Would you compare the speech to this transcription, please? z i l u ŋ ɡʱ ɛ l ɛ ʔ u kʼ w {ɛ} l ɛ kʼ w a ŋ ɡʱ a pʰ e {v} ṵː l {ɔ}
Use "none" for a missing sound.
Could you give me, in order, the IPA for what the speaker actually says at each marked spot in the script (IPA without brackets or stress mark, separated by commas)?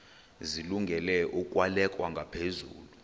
a, z, u